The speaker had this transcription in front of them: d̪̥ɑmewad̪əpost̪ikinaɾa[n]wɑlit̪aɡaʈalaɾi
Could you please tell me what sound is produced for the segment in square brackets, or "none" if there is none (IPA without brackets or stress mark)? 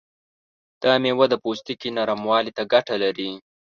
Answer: m